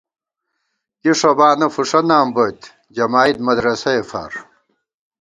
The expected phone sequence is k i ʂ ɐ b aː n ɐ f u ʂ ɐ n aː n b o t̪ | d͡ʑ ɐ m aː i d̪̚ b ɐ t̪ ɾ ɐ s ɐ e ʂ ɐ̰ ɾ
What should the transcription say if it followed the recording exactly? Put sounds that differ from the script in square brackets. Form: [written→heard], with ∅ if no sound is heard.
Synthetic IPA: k i ʂ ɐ b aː n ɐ f u ʂ ɐ n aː [n→m] b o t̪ | d͡ʑ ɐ m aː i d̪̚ [b→m] ɐ [t̪→d̪] ɾ ɐ s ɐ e [ʂ→f] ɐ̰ ɾ